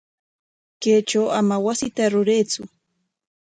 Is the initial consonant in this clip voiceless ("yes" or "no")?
yes